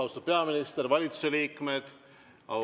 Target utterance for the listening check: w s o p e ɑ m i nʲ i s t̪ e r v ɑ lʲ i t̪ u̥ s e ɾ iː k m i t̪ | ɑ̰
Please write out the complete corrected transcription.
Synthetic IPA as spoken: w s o p e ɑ m i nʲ i s t̪ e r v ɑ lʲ i t̪ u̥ s e l iː k m e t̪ | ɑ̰

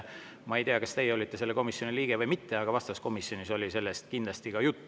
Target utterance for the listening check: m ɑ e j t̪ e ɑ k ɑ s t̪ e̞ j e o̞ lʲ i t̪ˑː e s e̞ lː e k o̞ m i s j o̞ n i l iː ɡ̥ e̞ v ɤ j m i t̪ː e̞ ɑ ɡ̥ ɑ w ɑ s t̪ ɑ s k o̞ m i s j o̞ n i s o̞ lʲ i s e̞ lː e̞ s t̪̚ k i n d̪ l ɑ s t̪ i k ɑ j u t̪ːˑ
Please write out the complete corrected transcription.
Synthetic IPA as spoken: m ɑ e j t̪ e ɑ k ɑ s t̪ e̞ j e o̞ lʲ i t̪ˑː e s e̞ lː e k o̞ m i s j o̞ n i l iː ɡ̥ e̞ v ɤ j m i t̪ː e̞ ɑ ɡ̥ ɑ v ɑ s t̪ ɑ s k o̞ m i s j o̞ n i s o̞ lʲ i s e̞ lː e̞ s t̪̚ k i n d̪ l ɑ s t̪ i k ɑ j u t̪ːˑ

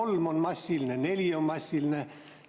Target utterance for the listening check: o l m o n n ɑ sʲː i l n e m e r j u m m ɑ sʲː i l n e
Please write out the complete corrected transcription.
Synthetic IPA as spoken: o l m o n m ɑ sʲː i l n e n e l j o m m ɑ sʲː i l n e

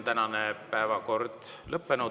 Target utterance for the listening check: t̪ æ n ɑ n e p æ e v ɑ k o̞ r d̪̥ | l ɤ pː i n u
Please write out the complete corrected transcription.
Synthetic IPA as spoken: t̪ æ n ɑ n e p æ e v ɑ k o̞ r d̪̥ | l ɤ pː e n u

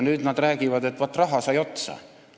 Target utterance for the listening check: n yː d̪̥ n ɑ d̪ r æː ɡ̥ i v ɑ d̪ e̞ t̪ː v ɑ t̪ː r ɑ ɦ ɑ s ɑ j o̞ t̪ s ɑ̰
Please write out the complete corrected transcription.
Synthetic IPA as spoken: n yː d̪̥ n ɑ d̪ r æː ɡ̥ i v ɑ d̪ e̞ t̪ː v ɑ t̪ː r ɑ ɦ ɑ s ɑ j o̞ t̪ s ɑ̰

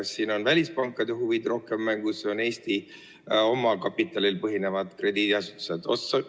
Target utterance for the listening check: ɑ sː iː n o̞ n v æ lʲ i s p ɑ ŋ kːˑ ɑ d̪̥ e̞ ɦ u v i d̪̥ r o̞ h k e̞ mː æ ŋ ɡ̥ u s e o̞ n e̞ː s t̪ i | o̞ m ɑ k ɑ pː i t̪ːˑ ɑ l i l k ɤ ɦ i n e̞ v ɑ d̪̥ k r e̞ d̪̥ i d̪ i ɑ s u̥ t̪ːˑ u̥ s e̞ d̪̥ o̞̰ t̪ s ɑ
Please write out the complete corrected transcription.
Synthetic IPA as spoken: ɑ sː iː n o̞ n v æ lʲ i s p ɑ ŋ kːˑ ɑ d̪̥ e̞ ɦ u v i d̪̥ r o̞ h k e̞ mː æ ŋ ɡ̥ u s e o̞ n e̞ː s t̪ i | o̞ m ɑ k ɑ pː i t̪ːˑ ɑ l i l p ɤ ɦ i n e̞ v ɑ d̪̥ k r e̞ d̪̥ i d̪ i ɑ s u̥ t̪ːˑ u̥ s e̞ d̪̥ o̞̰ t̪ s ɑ

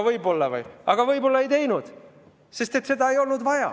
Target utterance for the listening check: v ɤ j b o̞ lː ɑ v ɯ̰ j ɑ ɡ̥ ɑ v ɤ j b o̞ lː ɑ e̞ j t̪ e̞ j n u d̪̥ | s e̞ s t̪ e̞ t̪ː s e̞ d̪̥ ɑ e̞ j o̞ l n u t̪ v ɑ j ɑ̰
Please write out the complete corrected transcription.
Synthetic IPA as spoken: v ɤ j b o̞ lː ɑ v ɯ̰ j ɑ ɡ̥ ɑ v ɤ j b o̞ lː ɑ e̞ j t̪ e̞ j n u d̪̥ | s e̞ s t̪ e̞ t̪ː s e̞ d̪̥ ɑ e̞ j o̞ l n u d̪ v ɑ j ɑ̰

